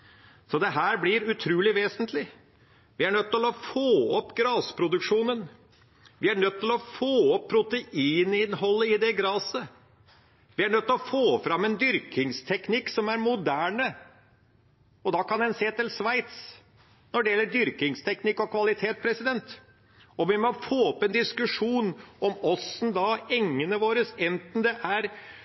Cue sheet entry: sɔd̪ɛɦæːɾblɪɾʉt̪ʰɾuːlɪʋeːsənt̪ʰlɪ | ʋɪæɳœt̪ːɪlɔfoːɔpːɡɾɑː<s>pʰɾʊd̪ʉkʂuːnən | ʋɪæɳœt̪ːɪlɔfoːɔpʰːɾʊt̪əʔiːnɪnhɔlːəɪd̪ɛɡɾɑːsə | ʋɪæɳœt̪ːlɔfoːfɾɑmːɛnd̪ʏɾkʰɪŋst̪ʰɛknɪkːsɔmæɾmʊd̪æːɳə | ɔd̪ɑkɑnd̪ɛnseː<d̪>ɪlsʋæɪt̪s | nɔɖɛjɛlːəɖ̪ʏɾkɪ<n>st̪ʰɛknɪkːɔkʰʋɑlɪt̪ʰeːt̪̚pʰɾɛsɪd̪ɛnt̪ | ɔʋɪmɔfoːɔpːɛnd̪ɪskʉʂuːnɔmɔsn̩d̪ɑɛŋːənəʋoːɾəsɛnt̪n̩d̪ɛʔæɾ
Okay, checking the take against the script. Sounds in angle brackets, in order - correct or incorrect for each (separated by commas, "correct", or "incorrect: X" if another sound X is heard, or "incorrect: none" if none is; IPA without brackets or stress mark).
correct, incorrect: t̪, incorrect: ŋ